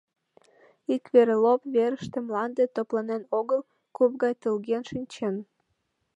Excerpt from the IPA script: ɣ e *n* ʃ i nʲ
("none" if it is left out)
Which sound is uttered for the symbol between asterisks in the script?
n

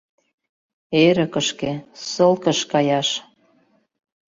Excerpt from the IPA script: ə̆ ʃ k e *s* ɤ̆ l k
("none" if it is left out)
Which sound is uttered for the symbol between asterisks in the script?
s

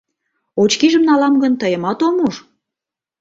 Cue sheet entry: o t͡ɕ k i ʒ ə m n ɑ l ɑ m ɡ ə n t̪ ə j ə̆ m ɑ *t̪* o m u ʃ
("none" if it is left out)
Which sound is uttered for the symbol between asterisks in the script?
t̪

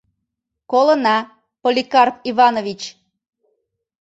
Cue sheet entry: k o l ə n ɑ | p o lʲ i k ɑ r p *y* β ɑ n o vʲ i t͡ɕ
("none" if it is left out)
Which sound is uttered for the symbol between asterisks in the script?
i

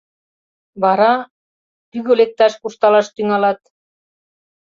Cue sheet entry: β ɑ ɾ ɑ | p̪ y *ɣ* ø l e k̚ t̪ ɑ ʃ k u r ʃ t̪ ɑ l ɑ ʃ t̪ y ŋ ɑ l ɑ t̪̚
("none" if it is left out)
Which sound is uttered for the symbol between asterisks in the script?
ɣ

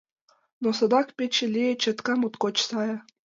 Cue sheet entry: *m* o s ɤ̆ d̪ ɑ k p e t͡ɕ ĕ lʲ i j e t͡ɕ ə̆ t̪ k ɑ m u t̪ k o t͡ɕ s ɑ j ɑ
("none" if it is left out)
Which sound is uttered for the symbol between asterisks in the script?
n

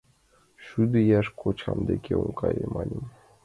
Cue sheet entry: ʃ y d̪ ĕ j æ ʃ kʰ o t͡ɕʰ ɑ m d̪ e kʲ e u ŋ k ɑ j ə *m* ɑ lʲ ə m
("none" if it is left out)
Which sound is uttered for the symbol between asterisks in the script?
m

